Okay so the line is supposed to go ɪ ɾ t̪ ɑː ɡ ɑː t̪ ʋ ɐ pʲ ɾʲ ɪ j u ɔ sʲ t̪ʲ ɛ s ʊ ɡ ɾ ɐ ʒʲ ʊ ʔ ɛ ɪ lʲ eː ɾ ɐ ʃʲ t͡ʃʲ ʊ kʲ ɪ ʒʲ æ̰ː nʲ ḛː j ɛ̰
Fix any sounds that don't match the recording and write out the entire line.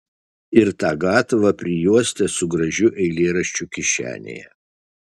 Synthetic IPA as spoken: ɪ ɾ t̪ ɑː ɡ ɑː t̪ ʋ ɐ pʲ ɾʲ ɪ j u ɔ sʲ t̪ʲ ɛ s ʊ ɡ ɾ ɐ ʒʲ ʊ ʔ ɛ ɪ lʲ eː ɾ ɐ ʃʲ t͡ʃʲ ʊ kʲ ɪ ʃʲ æ̰ː nʲ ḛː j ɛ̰

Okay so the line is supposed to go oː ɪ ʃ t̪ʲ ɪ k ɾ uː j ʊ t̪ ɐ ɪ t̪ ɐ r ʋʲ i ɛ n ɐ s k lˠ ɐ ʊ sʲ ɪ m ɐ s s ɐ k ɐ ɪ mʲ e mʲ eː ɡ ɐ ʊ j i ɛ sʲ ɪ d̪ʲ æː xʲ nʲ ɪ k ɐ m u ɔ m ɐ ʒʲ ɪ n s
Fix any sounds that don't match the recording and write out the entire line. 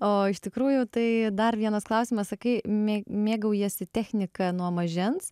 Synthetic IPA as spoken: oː ɪ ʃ t̪ʲ ɪ k ɾ uː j ʊ t̪ ɐ ɪ d̪ ɐ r ʋʲ i ɛ n ɐ s k lˠ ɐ ʊ sʲ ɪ m ɐ s s ɐ k ɐ ɪ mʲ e mʲ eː ɡ ɐ ʊ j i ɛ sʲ ɪ t̪ʲ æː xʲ nʲ ɪ k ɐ n u ɔ m ɐ ʒʲ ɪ n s

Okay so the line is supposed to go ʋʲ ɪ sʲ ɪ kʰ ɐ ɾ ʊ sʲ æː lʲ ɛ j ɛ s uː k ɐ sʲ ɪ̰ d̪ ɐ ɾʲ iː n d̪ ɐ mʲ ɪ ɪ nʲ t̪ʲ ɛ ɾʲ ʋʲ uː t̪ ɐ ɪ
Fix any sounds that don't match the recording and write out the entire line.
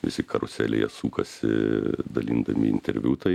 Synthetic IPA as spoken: ʋʲ ɪ sʲ ɪ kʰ ɐ ɾ ʊ sʲ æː lʲ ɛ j ɛ s uː k ɐ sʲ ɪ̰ d̪ ɐ lʲ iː n d̪ ɐ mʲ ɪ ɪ nʲ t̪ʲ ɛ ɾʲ ʋʲ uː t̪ ɐ ɪ

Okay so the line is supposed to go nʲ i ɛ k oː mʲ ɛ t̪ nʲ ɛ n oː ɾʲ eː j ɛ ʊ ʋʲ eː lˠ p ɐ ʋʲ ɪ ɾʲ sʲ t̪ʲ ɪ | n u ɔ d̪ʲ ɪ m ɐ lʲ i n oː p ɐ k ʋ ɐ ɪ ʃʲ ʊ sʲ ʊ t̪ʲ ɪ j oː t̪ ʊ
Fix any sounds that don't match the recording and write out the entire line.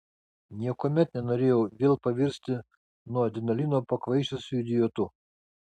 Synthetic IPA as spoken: nʲ i ɛ k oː mʲ ɛ t̪ nʲ ɛ n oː ɾʲ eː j ɛ ʊ ʋʲ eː lˠ p ɐ ʋʲ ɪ ɾʲ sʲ t̪ʲ ɪ | n u ɔ d̪ʲ ɪ n ɐ lʲ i n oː p ɐ k ʋ ɐ ɪ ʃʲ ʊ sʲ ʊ d̪ʲ ɪ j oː t̪ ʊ

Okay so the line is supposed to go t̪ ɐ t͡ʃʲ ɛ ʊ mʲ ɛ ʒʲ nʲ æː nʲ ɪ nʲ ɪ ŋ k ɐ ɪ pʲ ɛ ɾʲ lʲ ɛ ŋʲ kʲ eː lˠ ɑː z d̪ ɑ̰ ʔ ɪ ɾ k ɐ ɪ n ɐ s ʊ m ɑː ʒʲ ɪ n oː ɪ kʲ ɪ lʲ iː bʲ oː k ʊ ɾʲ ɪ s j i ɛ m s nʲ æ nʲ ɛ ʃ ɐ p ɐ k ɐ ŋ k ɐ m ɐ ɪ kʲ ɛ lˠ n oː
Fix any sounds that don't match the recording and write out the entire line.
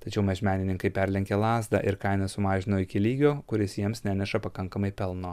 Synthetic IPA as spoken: t̪ ɐ t͡ʃʲ ɛ ʊ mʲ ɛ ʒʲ mʲ æː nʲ ɪ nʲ ɪ ŋ k ɐ ɪ pʲ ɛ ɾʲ lʲ ɛ ŋʲ kʲ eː lˠ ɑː z d̪ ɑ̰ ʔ ɪ ɾ k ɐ ɪ n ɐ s ʊ m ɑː ʒʲ ɪ n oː ɪ kʲ ɪ lʲ iː ɡʲ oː k ʊ ɾʲ ɪ s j i ɛ m s nʲ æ nʲ ɛ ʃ ɐ p ɐ k ɐ ŋ k ɐ m ɐ ɪ pʲ ɛ lˠ n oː

